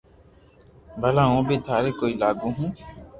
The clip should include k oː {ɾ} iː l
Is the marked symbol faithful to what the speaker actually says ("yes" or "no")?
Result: no